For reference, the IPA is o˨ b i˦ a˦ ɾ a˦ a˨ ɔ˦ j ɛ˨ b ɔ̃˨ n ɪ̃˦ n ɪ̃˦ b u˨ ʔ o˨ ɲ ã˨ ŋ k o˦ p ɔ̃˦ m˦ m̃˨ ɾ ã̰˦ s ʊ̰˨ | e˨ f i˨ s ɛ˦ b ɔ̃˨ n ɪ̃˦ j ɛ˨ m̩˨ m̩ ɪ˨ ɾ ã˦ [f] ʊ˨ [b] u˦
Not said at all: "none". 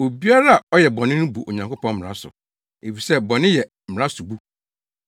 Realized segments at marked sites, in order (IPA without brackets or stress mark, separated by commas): s, b